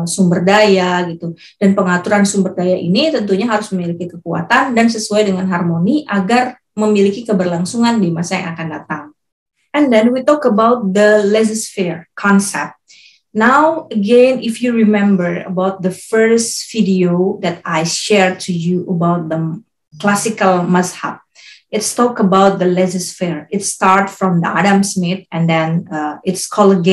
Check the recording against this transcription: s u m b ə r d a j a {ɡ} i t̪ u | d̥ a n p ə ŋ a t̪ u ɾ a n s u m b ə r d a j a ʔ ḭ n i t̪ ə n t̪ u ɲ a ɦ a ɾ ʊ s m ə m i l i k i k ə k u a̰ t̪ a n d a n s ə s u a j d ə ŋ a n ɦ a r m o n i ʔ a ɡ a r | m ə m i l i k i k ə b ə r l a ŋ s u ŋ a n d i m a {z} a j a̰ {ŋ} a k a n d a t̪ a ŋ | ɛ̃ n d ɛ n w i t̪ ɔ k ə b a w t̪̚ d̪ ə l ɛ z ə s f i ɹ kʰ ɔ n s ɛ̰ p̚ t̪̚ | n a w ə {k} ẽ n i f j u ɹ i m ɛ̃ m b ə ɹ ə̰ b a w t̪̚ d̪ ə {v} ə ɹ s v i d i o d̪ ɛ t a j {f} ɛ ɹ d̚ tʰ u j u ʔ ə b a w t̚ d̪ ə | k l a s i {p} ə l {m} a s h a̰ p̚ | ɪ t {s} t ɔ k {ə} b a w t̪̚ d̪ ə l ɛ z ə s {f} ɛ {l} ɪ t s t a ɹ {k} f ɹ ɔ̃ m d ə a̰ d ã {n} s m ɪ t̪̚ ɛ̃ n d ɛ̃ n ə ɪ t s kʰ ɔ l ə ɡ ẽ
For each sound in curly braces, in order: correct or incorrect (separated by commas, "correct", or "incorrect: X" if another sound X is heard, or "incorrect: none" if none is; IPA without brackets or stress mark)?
correct, incorrect: s, correct, incorrect: ɡ, incorrect: f, incorrect: ʃ, incorrect: k, correct, correct, correct, correct, incorrect: ɹ, incorrect: t, incorrect: m